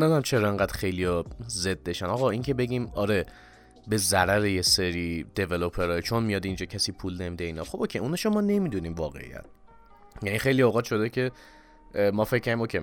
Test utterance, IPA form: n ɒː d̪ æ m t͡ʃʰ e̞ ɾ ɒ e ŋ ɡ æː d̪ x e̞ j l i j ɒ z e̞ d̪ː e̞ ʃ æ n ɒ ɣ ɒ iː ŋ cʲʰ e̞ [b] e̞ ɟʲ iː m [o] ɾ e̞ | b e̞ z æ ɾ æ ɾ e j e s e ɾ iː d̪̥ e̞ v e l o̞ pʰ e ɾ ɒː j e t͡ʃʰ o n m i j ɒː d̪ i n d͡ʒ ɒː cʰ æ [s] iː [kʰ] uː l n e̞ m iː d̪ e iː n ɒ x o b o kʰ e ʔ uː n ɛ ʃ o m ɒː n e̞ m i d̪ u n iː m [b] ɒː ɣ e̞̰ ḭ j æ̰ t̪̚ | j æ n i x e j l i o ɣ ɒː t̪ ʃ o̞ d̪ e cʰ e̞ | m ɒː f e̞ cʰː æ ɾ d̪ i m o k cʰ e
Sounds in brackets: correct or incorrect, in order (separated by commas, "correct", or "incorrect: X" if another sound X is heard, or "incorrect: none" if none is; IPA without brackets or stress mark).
correct, incorrect: ɒ, correct, incorrect: pʰ, incorrect: v